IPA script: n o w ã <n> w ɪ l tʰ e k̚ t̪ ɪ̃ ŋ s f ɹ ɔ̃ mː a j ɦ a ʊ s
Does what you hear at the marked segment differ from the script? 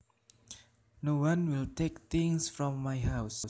no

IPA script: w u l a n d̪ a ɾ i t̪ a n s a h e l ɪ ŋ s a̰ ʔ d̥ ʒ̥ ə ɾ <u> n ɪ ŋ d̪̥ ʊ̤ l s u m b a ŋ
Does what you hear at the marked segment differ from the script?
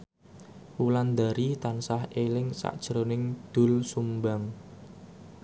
yes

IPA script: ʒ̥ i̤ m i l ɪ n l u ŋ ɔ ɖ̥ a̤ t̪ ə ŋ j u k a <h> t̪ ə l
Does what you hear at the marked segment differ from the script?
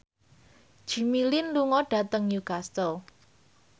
yes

